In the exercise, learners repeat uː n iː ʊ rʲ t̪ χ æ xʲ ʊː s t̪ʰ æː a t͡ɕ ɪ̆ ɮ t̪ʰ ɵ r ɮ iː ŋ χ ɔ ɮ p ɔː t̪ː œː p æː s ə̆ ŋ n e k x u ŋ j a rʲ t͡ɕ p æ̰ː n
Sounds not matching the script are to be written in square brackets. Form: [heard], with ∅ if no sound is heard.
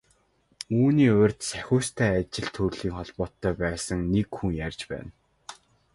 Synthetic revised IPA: uː n iː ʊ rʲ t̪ [s] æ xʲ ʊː s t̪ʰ æː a t͡ɕ ɪ̆ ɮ t̪ʰ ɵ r ɮ iː ŋ χ ɔ ɮ p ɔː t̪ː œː p æː s ə̆ ŋ n e k x u ŋ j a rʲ t͡ɕ p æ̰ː n